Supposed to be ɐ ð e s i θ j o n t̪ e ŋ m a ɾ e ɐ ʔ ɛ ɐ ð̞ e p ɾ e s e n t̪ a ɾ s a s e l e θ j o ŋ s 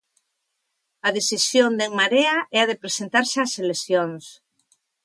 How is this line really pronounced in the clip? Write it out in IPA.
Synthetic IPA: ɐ ð e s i s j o n d̪ e ŋ m a ɾ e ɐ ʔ ɛ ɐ ð̞ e p ɾ e s e n t̪ a ɾ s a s e l e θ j o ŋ s

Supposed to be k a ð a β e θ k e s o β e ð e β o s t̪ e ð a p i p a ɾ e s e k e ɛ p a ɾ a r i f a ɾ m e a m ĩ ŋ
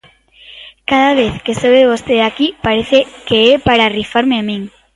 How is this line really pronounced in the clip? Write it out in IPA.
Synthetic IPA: k a ð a β e θ k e s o β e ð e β o s t̪ e ð a k i p a ɾ e θ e k e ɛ p a ɾ a r i f a ɾ m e a m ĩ ŋ

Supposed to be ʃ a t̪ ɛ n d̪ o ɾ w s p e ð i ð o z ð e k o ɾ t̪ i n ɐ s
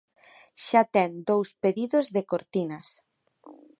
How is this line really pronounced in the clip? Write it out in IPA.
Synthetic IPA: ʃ a t̪ ɛ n d̪ o w s p e ð i ð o z ð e k o ɾ t̪ i n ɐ s

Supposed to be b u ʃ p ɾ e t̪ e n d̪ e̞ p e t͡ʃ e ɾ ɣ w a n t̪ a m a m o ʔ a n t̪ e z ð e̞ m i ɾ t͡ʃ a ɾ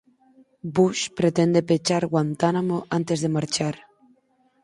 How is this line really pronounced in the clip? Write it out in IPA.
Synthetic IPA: b u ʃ p ɾ e t̪ e n d̪ e̞ p e t͡ʃ a ɾ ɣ w a n t̪ a n a m o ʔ a n t̪ e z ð e̞ m a ɾ t͡ʃ a ɾ

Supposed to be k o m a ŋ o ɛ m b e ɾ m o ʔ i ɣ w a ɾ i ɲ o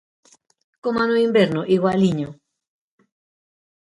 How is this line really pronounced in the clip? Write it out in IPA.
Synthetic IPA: k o m a n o i m b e ɾ n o ʔ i ɣ w a l i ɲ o

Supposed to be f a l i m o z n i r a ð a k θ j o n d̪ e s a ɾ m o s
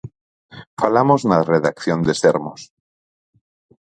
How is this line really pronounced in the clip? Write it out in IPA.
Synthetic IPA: f a l a m o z n a r e ð a k θ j o n d̪ e s e ɾ m o s

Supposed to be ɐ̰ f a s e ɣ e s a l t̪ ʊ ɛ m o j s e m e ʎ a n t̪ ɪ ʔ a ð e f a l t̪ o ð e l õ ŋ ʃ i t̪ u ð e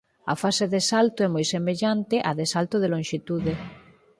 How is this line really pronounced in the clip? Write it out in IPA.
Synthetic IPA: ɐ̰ f a s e ð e s a l t̪ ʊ ɛ m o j s e m e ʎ a n t̪ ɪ ʔ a ð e s a l t̪ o ð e l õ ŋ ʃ i t̪ u ð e

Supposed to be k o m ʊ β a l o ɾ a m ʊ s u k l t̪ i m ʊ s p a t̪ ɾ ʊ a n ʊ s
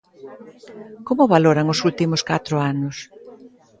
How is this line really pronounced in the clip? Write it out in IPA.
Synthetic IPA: k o m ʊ β a l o ɾ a ŋ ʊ s u l t̪ i m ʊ s k a t̪ ɾ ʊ a n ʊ s

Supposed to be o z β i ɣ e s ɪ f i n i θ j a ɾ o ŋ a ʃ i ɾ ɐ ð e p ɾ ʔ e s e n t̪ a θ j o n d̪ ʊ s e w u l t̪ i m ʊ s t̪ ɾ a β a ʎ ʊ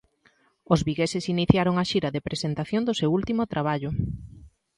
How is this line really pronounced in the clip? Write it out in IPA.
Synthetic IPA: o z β i ɣ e s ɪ s i n i θ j a ɾ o ŋ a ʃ i ɾ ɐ ð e p ɾ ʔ e s e n t̪ a θ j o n d̪ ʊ s e w u l t̪ i m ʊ t̪ ɾ a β a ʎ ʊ

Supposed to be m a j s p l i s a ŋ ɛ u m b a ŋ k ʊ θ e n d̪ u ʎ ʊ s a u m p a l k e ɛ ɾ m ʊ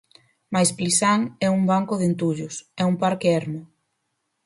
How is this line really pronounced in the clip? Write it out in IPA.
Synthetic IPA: m a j s p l i s a ŋ ɛ u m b a ŋ k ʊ ð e n t̪ u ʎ ʊ s ɛ u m p a ɾ k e ɛ ɾ m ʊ

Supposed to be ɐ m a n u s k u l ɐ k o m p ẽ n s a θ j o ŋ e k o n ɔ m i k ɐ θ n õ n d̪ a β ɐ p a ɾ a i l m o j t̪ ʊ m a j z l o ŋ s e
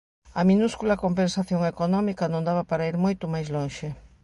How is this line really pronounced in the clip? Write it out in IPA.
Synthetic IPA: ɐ m i n u s k u l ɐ k o m p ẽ n s a θ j o ŋ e k o n ɔ m i k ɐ n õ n d̪ a β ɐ p a ɾ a i ɾ m o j t̪ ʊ m a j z l o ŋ ʃ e

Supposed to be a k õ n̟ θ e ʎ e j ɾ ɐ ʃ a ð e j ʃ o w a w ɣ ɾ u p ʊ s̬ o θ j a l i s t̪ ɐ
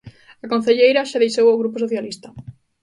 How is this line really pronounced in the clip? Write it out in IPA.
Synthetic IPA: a k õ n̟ θ e ʎ e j ɾ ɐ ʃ a ð e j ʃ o w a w ɣ ɾ u p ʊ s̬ o θ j a l i s t̪ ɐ

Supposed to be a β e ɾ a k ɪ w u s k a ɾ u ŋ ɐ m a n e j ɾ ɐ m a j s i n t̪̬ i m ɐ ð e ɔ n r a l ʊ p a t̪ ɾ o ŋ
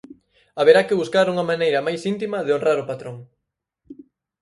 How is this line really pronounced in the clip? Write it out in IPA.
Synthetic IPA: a β e ɾ a k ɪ β u s k a ɾ u ŋ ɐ m a n e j ɾ ɐ m a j s i n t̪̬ i m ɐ ð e o n r a ɾ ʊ p a t̪ ɾ o ŋ

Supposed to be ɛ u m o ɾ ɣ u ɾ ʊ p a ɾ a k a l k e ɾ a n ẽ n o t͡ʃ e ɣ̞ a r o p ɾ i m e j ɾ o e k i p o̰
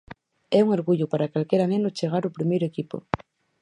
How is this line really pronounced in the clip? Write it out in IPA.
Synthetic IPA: ɛ u ŋ o ɾ ɣ u ʎ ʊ p a ɾ a k a l k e ɾ a n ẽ n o t͡ʃ e ɣ̞ a ɾ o p ɾ i m e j ɾ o e k i p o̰

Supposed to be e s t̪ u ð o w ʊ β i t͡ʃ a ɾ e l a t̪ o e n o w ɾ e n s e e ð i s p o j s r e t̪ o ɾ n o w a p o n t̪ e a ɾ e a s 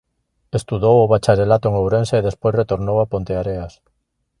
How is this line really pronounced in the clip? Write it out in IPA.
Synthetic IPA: e s t̪ u ð o w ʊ β a t͡ʃ a ɾ e l a t̪ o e ŋ o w ɾ e n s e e ð e s p o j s r e t̪ o ɾ n o w a p o n t̪ e a ɾ e a s

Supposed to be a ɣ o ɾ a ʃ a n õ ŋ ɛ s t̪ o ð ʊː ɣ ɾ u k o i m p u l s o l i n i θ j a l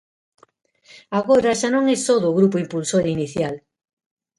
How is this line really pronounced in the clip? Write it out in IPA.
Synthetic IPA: a ɣ o ɾ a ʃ a n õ ŋ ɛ s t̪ o ð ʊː ɣ ɾ u p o i m p u l s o ɾ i n i θ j a l

